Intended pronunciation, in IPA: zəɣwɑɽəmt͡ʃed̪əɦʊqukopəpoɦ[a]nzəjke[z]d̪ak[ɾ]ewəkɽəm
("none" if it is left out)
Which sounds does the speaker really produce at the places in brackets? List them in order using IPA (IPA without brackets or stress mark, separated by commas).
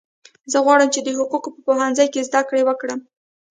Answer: a, z, ɽ